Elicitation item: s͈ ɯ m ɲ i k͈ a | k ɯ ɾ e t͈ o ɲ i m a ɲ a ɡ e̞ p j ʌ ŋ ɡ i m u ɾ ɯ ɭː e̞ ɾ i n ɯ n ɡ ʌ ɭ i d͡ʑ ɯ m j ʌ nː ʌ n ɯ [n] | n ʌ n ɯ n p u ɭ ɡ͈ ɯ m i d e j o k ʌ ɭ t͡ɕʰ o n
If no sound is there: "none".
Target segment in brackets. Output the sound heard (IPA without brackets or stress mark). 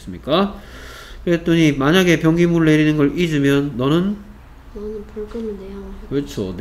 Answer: n